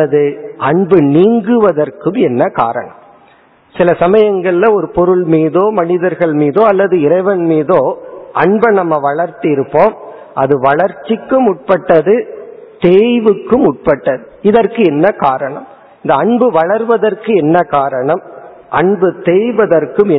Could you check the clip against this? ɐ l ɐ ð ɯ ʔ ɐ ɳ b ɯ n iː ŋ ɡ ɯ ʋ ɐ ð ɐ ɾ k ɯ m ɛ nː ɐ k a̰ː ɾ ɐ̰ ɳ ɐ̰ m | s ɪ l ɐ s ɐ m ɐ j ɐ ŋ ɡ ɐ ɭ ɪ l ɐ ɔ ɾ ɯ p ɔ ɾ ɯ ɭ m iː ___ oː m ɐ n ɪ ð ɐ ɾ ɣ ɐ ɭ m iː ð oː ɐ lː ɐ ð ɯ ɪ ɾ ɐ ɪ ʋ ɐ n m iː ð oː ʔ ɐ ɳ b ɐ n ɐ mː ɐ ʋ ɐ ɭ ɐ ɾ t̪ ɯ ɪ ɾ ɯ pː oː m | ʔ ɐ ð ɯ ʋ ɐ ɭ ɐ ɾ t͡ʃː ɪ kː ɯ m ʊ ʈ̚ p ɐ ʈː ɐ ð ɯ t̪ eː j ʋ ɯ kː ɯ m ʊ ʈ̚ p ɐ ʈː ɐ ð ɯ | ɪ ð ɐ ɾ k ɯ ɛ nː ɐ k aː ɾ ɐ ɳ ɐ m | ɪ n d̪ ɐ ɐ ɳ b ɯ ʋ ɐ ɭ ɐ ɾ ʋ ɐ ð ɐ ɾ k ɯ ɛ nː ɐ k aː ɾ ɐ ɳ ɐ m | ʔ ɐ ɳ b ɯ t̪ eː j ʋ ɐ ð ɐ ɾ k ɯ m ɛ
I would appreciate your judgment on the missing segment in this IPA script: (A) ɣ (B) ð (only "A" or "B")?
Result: B